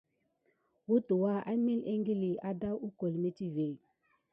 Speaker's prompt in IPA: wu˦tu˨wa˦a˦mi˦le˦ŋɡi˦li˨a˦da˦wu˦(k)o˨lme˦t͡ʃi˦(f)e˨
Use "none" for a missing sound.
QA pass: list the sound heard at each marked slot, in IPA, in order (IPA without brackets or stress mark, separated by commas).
k, v